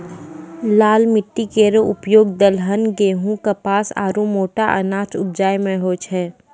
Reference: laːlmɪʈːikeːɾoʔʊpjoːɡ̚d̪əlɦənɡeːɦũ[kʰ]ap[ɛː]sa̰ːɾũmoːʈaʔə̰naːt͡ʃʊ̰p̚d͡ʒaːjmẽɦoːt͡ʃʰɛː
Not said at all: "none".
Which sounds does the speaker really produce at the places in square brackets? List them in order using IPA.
k, aː

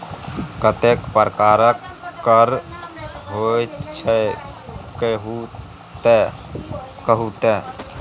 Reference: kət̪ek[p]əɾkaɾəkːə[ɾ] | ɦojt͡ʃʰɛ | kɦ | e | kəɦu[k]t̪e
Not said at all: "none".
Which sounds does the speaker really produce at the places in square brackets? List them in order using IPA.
p, ɾ, none

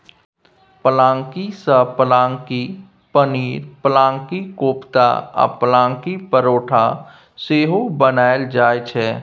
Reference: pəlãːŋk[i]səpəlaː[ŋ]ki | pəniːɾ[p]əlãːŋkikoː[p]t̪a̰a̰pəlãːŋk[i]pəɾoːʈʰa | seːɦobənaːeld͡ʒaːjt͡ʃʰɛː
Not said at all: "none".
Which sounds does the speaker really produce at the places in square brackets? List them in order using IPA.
i, ŋ, p, p, i

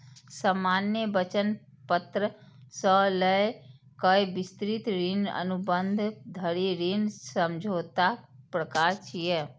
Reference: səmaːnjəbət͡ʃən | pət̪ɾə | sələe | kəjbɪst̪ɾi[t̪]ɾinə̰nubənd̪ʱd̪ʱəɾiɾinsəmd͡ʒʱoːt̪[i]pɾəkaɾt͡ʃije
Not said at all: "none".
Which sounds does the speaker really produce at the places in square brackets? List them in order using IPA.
t̪, a

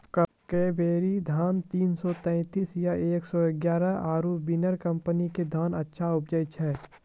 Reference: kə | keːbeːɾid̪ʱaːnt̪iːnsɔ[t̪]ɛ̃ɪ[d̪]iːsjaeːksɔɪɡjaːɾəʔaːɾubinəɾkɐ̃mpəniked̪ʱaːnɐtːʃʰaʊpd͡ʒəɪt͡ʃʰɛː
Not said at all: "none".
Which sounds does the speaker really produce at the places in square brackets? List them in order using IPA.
t̪, t̪

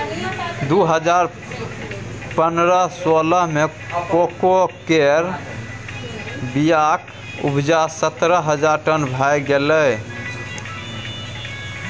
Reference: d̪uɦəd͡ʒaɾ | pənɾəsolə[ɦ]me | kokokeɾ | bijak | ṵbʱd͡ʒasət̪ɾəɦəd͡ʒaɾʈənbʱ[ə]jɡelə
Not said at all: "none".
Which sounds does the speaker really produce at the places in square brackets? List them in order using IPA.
ɦ, a

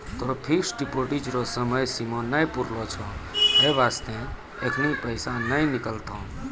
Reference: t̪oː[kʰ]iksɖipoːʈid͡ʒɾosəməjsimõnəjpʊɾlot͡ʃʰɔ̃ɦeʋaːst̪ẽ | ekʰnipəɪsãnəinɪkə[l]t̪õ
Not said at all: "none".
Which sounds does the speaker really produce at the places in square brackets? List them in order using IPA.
pʰ, l

